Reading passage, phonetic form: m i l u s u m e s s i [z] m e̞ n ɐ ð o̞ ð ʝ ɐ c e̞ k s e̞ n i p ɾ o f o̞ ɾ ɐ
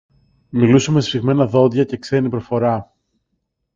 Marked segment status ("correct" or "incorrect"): incorrect